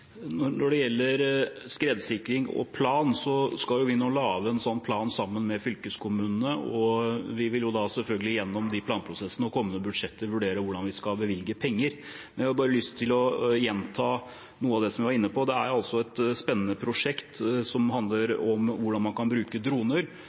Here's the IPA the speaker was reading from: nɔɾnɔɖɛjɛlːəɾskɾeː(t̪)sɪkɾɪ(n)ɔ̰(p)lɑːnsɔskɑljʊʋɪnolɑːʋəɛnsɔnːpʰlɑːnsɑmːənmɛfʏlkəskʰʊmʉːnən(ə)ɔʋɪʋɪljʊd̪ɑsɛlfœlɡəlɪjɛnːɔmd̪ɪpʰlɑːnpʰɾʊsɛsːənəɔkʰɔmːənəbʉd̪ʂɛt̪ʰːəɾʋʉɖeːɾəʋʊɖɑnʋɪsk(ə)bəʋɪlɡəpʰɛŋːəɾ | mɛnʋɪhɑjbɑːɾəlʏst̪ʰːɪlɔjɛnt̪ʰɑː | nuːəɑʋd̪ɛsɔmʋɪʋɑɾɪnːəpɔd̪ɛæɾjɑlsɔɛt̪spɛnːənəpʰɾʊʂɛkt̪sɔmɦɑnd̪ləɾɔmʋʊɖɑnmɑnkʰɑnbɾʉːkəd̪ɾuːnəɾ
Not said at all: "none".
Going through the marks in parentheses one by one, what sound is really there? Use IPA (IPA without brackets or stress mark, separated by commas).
d̪, ŋ, pʰ, ə, ɑ